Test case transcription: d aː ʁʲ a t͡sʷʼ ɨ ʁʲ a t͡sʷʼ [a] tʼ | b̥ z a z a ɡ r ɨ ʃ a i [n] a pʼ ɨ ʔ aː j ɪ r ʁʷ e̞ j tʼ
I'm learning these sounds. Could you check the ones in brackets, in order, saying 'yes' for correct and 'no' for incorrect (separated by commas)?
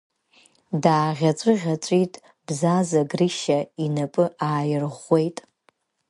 no, yes